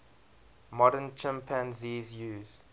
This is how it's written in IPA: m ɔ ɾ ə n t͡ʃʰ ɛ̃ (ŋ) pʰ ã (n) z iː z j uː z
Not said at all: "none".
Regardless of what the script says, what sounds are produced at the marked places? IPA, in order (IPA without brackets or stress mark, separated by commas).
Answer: m, n